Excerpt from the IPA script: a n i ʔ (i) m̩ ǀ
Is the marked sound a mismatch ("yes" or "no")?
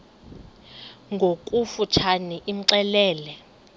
no